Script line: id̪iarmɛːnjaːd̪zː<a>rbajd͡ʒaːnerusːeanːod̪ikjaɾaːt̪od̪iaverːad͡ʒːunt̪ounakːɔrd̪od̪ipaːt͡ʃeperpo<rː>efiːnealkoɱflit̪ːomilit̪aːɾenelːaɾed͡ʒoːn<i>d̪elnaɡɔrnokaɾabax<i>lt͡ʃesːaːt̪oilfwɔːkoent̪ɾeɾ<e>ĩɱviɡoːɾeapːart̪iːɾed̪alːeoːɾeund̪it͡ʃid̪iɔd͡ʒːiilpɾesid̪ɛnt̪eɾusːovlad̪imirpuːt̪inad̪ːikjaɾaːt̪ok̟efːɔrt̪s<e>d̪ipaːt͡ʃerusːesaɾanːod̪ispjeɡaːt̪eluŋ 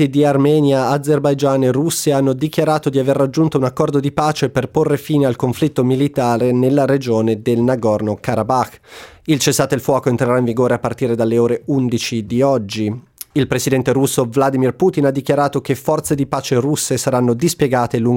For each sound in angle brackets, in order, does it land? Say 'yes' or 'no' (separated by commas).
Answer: no, yes, no, yes, no, yes